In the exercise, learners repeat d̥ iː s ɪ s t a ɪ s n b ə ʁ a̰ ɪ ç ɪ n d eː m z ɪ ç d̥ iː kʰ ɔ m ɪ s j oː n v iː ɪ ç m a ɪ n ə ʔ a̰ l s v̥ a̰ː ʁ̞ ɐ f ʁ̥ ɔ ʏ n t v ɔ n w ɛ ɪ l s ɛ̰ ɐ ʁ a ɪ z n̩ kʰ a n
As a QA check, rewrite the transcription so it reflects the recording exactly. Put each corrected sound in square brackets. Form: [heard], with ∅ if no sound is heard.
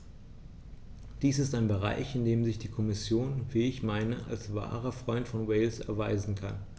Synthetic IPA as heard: d̥ iː s ɪ s t a ɪ [∅] n b ə ʁ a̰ ɪ ç ɪ n d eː m z ɪ ç d̥ iː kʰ ɔ m ɪ s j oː n v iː ɪ ç m a ɪ n ə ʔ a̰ l s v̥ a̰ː ʁ̞ ɐ f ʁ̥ ɔ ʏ n t [f] ɔ n w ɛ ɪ l s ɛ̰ ɐ [v] a ɪ z n̩ kʰ a n